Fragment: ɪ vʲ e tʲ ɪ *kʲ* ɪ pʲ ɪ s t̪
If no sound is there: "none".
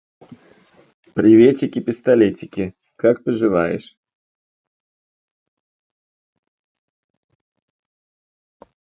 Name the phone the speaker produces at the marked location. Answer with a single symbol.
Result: kʲ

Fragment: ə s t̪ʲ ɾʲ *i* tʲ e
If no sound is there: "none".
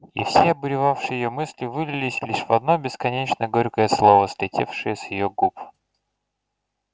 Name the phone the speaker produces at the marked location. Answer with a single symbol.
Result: ɪ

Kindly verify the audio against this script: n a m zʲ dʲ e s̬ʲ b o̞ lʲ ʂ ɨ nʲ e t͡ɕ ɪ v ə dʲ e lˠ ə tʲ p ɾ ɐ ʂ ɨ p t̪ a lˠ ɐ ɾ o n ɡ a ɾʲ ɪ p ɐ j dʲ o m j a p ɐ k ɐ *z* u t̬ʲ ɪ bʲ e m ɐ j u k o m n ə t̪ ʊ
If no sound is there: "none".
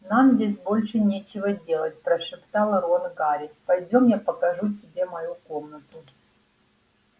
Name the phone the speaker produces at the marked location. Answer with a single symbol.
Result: ʐ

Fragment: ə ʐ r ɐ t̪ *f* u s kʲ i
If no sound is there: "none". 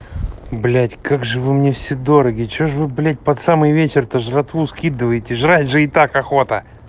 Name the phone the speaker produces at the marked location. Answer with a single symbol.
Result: v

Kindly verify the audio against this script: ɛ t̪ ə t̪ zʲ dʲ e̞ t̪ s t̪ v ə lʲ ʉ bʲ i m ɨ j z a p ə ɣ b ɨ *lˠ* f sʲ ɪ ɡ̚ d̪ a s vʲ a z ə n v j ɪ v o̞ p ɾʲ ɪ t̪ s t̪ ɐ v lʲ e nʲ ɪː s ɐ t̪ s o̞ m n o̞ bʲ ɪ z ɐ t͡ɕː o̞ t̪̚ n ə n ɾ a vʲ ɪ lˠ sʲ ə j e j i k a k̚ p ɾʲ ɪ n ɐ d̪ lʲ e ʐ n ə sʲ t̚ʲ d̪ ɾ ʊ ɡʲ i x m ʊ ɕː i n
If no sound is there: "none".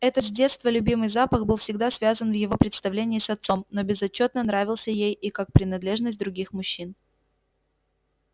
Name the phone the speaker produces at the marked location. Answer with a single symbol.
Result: lˠ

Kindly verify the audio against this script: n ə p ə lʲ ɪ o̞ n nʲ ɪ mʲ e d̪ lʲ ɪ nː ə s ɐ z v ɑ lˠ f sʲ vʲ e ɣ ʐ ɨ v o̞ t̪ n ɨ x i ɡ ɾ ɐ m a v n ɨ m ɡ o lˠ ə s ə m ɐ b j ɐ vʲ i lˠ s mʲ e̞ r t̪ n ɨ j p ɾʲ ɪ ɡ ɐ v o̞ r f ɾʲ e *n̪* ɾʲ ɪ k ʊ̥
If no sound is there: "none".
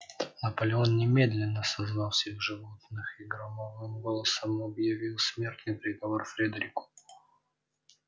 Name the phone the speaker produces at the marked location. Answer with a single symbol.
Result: d̪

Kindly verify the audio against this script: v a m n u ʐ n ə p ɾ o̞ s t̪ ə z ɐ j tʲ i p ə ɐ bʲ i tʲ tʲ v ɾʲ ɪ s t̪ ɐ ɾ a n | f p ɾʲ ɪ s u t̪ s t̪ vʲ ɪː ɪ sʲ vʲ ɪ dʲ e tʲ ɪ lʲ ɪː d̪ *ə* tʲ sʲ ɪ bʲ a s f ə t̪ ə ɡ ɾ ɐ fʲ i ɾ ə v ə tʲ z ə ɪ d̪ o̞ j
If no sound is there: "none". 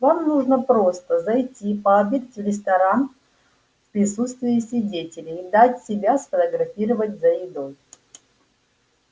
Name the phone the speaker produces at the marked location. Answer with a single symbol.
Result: a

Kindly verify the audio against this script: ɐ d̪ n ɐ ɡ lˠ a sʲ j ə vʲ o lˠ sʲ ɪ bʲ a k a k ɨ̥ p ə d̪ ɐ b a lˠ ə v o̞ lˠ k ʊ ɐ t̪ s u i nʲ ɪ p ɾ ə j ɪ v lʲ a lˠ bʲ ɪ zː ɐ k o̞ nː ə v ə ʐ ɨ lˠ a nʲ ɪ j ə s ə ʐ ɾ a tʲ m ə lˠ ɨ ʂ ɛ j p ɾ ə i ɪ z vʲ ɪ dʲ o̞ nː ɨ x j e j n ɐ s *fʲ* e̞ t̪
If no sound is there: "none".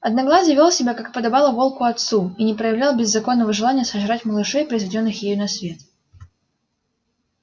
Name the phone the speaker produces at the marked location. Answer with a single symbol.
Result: vʲ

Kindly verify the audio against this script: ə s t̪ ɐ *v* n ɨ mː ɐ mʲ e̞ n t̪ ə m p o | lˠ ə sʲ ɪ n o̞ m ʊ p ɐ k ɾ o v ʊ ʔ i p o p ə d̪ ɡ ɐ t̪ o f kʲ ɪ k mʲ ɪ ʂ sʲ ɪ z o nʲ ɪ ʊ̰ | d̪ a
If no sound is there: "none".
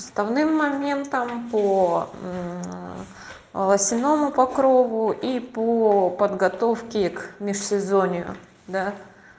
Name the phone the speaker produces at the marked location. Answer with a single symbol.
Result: v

